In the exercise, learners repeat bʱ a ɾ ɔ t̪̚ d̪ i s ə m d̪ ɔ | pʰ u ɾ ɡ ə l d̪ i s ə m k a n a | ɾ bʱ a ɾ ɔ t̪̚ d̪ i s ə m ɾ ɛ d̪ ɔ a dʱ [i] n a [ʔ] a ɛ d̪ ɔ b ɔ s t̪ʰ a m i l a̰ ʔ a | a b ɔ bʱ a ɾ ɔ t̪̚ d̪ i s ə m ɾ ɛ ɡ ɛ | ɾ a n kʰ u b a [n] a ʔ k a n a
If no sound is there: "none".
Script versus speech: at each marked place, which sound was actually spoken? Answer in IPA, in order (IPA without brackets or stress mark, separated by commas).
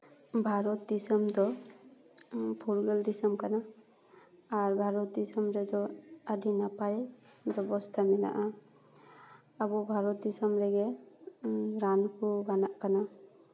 i, p, n